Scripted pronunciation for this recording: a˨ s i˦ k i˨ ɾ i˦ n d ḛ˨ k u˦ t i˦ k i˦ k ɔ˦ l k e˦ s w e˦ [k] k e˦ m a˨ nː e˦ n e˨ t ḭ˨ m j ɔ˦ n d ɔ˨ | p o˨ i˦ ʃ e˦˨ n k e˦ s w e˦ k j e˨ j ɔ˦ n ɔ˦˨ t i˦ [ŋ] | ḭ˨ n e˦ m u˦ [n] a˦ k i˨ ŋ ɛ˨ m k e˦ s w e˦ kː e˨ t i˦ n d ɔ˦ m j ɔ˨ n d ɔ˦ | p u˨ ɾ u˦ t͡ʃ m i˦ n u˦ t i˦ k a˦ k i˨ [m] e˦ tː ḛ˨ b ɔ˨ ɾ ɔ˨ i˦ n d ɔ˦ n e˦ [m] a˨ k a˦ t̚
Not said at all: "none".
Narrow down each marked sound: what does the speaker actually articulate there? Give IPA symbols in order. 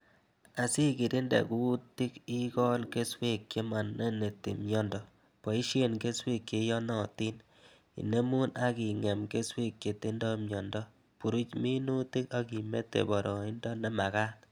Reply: k, n, n, m, m

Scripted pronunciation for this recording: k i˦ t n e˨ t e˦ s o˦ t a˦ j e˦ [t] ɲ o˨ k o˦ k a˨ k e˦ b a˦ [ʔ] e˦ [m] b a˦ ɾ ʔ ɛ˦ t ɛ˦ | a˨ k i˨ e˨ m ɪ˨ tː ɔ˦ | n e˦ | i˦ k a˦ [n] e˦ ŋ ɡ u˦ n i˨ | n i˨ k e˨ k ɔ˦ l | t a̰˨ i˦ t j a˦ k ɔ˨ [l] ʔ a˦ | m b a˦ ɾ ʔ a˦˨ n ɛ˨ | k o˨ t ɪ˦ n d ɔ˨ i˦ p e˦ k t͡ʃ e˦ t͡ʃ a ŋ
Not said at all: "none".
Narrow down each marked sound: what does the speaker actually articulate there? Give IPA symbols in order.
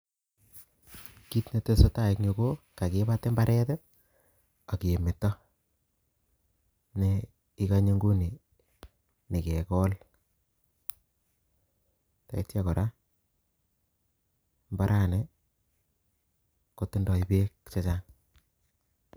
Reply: k, t, m, ɲ, ɾ

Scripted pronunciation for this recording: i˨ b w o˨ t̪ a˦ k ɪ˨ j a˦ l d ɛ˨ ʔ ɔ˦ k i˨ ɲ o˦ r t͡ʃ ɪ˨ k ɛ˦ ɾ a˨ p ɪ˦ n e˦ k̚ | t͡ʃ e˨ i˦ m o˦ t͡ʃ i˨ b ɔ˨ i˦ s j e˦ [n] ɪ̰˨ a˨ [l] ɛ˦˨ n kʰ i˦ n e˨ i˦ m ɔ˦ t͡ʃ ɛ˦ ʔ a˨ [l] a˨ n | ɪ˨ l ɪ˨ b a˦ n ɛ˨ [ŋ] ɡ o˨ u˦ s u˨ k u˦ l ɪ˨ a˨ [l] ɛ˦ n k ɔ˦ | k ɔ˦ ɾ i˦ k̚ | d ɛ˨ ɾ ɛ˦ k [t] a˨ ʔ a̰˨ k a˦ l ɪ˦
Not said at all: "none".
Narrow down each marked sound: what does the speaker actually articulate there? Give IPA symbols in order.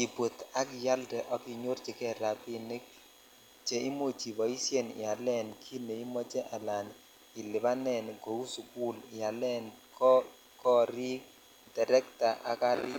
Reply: n, l, l, n, l, t

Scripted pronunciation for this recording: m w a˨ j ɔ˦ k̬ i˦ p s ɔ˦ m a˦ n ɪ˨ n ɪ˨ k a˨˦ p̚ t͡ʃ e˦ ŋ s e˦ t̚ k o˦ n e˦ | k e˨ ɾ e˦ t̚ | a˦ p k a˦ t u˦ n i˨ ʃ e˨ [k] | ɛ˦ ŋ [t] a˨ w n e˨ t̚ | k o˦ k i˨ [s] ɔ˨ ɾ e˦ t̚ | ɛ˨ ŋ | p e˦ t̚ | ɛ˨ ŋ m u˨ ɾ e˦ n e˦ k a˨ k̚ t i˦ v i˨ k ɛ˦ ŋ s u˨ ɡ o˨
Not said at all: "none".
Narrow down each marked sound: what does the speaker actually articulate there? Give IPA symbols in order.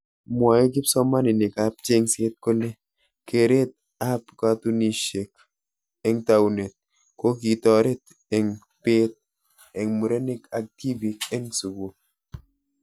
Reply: k, t, t

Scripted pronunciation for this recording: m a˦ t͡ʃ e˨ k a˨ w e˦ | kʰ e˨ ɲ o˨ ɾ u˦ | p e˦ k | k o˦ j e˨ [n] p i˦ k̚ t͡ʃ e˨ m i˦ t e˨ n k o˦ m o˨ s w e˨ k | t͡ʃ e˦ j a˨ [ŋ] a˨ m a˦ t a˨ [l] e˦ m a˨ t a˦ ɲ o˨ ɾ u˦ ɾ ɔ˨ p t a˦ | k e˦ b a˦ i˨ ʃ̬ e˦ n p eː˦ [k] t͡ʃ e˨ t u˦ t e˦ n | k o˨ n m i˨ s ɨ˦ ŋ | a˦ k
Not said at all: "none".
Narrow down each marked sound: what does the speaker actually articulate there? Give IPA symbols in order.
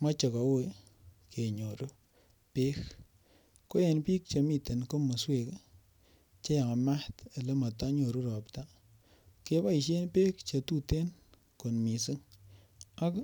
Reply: n, ŋ, l, k

